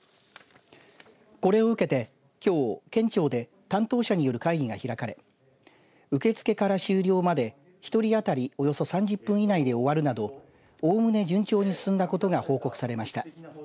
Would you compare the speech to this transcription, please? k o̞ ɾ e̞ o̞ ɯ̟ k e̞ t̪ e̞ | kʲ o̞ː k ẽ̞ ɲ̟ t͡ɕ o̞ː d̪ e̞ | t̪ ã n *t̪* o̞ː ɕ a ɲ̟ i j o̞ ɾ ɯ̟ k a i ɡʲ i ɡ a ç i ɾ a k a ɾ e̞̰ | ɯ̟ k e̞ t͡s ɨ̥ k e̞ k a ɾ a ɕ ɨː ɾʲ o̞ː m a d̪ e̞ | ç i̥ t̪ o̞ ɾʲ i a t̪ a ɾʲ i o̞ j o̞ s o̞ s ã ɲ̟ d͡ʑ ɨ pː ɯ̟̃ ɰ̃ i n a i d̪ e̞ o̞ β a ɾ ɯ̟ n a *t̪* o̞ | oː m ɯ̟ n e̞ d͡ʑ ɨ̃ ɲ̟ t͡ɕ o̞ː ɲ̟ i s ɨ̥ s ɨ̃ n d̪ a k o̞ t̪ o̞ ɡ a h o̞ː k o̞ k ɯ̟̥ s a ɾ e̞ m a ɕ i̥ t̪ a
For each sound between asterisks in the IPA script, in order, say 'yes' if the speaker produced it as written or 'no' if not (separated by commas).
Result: yes, no